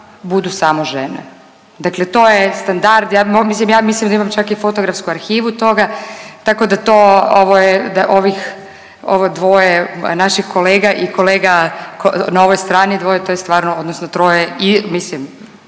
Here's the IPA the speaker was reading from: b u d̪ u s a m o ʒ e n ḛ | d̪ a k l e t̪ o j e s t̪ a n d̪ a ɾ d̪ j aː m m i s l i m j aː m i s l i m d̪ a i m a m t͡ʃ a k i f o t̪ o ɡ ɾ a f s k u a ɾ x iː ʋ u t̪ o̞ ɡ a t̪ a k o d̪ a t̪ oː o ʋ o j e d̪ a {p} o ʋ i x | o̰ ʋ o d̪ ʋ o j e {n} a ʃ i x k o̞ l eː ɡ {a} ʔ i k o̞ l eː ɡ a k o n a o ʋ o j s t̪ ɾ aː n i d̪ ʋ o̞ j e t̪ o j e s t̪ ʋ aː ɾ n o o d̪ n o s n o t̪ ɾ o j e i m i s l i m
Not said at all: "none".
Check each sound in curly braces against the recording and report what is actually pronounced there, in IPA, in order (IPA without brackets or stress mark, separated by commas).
ʔ, n, a